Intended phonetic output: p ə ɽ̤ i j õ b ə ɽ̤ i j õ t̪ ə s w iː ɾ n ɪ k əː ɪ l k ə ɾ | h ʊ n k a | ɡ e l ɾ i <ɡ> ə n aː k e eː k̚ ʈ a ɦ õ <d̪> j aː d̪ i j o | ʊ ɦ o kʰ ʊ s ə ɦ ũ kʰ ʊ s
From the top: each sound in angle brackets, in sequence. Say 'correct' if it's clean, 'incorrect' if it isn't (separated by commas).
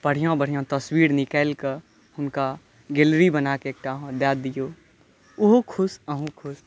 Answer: incorrect, correct